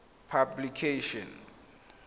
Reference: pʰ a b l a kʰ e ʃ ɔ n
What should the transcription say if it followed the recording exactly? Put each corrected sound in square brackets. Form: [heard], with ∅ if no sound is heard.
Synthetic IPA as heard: pʰ a b l [i] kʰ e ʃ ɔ n